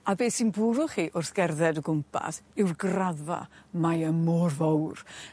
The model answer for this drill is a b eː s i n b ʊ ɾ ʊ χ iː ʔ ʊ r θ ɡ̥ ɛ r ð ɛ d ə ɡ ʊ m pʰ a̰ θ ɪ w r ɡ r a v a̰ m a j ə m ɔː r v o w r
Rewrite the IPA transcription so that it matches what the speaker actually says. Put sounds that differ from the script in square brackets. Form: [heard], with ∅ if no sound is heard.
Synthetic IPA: a b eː s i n b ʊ ɾ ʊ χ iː ʔ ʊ r θ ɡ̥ ɛ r ð ɛ d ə ɡ ʊ m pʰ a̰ [s] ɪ w r ɡ r a [ð] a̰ m a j ə m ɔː r v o w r